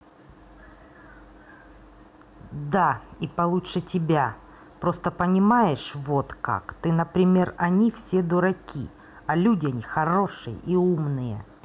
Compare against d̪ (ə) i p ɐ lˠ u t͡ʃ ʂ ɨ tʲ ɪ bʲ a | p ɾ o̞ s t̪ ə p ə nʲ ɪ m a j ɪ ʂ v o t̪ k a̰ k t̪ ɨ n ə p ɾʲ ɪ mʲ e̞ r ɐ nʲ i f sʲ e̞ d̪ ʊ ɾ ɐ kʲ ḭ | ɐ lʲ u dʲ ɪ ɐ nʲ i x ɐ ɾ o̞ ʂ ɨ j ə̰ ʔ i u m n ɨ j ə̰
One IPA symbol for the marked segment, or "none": a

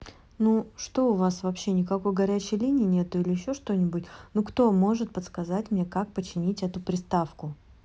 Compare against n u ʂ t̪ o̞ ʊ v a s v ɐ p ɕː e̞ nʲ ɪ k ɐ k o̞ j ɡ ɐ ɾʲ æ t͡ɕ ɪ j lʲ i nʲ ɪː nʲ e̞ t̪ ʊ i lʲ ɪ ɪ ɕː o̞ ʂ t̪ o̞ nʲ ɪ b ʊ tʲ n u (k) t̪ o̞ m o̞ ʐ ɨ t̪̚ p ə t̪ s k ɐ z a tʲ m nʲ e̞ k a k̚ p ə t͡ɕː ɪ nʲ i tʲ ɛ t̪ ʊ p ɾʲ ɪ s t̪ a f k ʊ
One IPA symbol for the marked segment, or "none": k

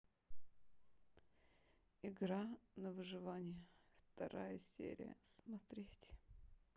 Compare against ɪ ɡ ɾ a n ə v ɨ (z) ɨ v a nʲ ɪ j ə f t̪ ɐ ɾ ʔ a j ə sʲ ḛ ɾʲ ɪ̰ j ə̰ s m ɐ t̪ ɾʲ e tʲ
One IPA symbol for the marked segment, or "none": ʐ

